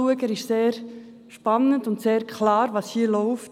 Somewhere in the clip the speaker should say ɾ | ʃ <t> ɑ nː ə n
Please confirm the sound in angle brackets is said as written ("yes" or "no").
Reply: no